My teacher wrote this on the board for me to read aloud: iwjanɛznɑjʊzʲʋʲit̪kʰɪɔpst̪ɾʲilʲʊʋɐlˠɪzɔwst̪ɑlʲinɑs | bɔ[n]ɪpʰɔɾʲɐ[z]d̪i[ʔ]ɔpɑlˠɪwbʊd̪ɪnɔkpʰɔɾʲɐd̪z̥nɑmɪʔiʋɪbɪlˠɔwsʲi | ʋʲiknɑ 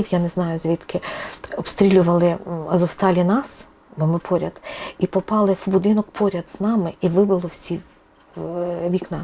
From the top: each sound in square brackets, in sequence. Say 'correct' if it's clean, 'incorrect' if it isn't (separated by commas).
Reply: incorrect, incorrect, incorrect